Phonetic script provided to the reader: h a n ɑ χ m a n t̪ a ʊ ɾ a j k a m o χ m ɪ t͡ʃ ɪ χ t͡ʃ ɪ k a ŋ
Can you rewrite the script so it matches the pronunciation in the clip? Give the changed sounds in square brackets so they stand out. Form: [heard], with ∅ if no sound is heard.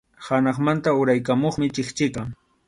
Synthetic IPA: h a n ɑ χ m a n t̪ a ʊ ɾ a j k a m o χ m ɪ t͡ʃ ɪ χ t͡ʃ ɪ k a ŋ